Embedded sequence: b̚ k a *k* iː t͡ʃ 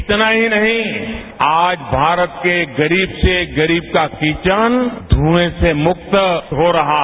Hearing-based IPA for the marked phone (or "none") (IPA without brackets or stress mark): k